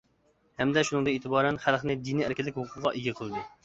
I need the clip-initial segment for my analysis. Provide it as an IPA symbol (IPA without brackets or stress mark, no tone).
h